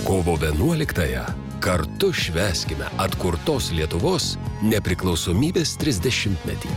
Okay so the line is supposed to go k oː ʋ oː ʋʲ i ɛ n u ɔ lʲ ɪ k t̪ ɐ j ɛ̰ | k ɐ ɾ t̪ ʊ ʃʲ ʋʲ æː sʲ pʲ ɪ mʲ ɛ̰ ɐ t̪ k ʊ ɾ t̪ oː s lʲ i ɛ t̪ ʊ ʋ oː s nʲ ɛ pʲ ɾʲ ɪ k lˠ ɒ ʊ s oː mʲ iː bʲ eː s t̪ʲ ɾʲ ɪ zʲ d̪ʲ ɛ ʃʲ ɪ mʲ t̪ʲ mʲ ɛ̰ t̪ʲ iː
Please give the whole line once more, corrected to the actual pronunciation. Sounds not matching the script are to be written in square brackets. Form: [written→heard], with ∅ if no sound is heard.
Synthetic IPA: k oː ʋ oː ʋʲ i ɛ n u ɔ lʲ ɪ k t̪ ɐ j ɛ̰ | k ɐ ɾ t̪ ʊ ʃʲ ʋʲ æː sʲ [pʲ→kʲ] ɪ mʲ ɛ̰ ɐ t̪ k ʊ ɾ t̪ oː s lʲ i ɛ t̪ ʊ ʋ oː s nʲ ɛ pʲ ɾʲ ɪ k lˠ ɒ ʊ s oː mʲ iː bʲ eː s t̪ʲ ɾʲ ɪ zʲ d̪ʲ ɛ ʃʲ ɪ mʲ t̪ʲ mʲ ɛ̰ t̪ʲ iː